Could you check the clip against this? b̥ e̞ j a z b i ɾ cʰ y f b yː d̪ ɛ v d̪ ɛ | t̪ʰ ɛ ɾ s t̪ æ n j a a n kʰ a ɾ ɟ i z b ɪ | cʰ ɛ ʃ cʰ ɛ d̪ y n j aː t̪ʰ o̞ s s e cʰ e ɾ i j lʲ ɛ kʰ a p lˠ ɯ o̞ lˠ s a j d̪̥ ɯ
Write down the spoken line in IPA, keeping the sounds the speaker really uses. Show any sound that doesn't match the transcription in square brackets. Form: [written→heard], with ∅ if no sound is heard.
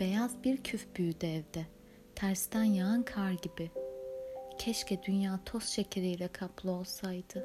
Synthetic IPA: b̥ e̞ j a z b i ɾ cʰ y f b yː d̪ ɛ v d̪ ɛ | t̪ʰ [ɛ→æ] ɾ s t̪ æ n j a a n kʰ a ɾ ɟ i [z→∅] b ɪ | cʰ ɛ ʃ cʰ ɛ d̪ y n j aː t̪ʰ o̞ s [s→ʃ] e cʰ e ɾ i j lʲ ɛ kʰ a p lˠ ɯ o̞ lˠ s a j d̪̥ ɯ